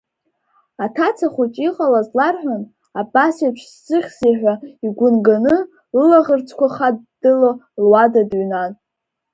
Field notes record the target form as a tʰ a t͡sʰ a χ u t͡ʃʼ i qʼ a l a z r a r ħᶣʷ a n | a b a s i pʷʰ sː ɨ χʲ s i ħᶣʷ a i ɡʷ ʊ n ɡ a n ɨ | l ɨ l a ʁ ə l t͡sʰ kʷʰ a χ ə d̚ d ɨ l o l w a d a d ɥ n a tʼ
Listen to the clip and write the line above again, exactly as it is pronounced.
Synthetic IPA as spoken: a tʰ a t͡sʰ a χ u t͡ʃʼ i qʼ a l a z l a r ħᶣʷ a n | a b a s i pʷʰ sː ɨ χʲ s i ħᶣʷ a i ɡʷ ʊ n ɡ a n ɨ | l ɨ l a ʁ ə r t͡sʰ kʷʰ a χ a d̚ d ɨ l o l w a d a d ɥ n a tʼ